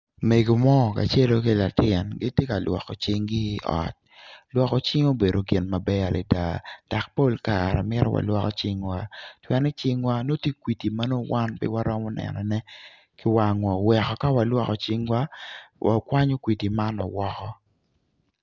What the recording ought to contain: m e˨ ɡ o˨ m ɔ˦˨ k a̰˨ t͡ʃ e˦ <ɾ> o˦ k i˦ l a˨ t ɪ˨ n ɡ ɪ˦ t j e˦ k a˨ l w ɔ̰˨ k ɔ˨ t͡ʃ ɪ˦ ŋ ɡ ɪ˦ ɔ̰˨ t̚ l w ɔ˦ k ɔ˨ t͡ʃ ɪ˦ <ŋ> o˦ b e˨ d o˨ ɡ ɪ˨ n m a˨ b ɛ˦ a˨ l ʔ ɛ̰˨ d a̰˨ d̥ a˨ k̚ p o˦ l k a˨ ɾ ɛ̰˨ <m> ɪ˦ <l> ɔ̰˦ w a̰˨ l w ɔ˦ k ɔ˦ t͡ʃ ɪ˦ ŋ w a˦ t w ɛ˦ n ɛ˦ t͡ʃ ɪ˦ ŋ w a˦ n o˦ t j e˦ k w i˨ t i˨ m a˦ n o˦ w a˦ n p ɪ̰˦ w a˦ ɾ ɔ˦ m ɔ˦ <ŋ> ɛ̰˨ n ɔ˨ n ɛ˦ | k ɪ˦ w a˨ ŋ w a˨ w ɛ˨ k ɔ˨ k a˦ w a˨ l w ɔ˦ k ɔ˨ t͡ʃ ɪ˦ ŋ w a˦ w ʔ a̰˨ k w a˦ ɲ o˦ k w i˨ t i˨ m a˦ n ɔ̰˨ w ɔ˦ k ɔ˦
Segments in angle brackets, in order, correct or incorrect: incorrect: l, correct, correct, incorrect: ɾ, incorrect: n

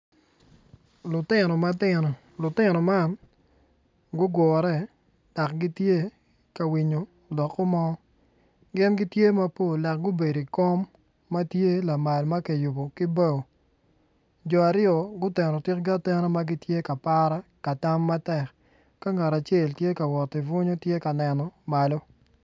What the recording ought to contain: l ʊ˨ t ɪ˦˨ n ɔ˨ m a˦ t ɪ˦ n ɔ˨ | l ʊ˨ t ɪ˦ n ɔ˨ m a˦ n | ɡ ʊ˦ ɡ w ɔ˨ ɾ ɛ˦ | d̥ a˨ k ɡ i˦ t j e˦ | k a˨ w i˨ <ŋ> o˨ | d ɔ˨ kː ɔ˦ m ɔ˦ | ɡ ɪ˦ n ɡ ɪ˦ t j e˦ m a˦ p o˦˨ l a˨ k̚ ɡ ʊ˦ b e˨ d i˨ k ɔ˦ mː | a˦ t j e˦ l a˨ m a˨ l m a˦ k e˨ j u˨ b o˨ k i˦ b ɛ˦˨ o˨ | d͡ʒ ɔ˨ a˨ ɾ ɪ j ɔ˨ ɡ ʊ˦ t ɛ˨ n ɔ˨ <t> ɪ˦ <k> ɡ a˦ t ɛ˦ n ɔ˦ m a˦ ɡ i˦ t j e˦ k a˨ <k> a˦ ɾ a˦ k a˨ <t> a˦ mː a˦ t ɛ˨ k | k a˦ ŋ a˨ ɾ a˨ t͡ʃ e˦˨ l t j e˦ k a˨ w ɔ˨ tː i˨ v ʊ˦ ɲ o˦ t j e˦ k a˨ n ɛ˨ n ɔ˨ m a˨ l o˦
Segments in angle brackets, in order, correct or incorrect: incorrect: ɲ, correct, correct, incorrect: p, correct

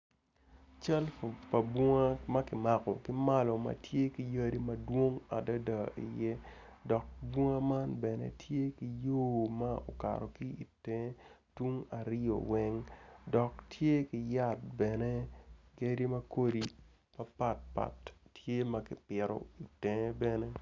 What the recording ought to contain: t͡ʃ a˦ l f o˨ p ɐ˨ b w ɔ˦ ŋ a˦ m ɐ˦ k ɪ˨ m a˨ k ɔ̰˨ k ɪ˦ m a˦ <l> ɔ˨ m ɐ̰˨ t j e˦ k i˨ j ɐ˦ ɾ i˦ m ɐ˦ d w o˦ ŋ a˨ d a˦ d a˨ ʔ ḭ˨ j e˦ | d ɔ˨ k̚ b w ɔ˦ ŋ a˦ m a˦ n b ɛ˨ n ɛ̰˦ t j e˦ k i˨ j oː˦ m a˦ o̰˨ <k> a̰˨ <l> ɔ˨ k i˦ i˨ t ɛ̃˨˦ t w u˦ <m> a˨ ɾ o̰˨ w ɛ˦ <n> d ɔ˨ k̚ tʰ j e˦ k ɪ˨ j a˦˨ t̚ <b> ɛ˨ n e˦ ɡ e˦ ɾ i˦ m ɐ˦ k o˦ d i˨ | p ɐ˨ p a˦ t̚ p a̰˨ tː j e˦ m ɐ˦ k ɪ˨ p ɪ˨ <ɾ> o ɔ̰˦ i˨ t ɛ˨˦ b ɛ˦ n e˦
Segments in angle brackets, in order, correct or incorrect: correct, correct, incorrect: ɾ, incorrect: ŋ, incorrect: ŋ, correct, correct

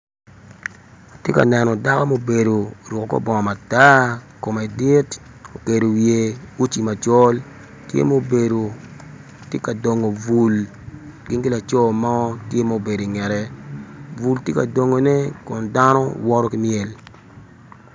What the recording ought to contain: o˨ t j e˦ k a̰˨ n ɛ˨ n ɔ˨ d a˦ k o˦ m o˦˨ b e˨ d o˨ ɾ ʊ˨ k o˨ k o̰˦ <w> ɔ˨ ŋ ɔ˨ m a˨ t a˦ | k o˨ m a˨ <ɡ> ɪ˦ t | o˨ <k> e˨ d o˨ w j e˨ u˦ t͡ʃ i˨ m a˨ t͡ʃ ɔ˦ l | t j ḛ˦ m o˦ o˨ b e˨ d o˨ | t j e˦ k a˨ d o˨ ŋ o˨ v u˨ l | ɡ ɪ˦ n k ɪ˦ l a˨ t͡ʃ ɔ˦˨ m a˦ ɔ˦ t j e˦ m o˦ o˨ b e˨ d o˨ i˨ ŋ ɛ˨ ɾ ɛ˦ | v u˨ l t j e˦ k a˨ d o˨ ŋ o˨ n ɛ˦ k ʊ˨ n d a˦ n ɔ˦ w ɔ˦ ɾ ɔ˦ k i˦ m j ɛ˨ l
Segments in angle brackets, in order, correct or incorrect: incorrect: b, incorrect: d, correct

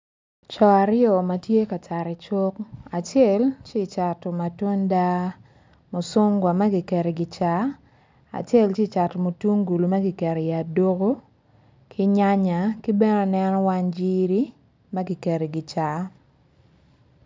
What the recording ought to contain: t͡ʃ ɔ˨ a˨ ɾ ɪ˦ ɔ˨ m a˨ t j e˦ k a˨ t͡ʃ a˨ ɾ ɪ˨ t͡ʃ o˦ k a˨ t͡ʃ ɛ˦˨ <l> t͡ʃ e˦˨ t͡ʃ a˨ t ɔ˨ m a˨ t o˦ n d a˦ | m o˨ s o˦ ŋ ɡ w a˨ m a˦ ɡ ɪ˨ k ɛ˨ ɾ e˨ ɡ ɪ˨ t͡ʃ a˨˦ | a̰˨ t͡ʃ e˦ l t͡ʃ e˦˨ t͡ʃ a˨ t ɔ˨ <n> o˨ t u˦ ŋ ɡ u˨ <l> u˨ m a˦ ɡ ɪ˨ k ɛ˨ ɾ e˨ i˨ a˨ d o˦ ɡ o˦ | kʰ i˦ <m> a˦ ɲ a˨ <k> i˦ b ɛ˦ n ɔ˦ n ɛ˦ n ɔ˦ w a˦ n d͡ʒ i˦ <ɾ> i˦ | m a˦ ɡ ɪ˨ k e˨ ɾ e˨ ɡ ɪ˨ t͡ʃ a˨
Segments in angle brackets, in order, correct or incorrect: correct, incorrect: m, correct, incorrect: ɲ, correct, correct

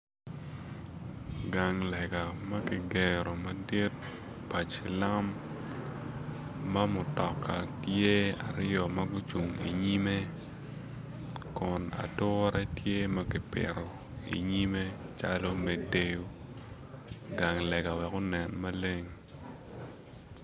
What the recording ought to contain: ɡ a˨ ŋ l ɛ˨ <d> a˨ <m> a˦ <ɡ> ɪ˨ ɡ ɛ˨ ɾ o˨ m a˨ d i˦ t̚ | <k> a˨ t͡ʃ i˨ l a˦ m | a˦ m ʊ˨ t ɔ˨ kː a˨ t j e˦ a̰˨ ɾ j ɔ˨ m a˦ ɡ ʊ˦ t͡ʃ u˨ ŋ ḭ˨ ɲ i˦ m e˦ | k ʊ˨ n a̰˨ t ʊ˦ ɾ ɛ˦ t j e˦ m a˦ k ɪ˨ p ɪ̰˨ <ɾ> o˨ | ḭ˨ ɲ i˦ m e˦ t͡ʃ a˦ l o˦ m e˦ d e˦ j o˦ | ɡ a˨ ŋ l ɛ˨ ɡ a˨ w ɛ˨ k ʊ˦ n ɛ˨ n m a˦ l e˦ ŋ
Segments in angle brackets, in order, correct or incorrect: incorrect: ɡ, correct, incorrect: k, incorrect: p, correct

